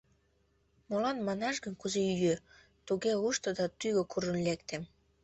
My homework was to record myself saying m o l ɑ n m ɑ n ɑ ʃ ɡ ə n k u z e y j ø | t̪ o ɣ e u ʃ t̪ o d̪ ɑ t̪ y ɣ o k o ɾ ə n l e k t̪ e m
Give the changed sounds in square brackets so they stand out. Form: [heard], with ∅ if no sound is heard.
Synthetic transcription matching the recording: m o l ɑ n m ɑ n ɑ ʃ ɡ ə n k u z e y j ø | t̪ [u] ɣ e u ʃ t̪ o d̪ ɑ t̪ y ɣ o k [u] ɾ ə n l e k t̪ e m